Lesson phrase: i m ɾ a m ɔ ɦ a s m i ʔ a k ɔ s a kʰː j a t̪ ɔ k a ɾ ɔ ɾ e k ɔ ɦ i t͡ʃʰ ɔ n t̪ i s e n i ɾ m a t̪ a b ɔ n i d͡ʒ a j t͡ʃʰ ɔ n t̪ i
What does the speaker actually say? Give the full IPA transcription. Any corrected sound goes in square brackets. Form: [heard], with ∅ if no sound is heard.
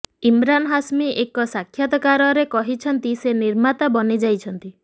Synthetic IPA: i m ɾ a [n] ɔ ɦ a s m i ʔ [e] k ɔ s a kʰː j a t̪ ɔ k a ɾ ɔ ɾ e k ɔ ɦ i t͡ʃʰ ɔ n t̪ i s e n i ɾ m a t̪ a b ɔ n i d͡ʒ a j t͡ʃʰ ɔ n t̪ i